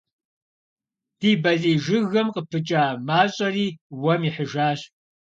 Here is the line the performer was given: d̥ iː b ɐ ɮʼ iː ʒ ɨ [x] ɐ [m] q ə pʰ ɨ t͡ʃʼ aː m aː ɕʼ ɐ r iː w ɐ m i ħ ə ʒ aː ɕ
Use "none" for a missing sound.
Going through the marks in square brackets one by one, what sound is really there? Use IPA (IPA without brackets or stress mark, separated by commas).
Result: ɣ, m